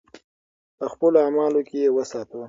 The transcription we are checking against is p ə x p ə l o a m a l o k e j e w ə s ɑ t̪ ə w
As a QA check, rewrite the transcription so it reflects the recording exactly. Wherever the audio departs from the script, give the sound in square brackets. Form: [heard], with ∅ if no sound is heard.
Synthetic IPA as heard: p ə x p ə l o a m [ɑ] l o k e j e w ə s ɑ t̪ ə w